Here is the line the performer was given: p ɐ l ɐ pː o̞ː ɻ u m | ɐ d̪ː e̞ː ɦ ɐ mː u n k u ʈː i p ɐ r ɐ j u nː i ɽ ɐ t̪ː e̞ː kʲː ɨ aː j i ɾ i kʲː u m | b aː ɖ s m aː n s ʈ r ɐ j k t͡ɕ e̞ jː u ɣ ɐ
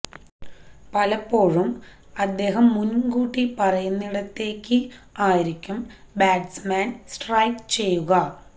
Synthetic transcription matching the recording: p ɐ l ɐ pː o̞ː ɻ u m | ɐ d̪ː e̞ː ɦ ɐ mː u n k uː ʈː i p ɐ r ɐ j u nː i ɽ ɐ t̪ː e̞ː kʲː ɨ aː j i ɾ i kʲː u m | b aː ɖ s m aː n s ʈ r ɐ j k t͡ɕ e̞ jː u ɣ ɐ